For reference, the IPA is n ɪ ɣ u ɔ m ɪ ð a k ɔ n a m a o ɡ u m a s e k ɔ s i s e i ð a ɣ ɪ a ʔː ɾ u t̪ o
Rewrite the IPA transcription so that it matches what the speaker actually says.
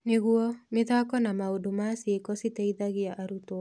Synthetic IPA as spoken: n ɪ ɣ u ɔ m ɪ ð a k ɔ n a m a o d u m a s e k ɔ s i t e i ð a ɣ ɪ a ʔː ɾ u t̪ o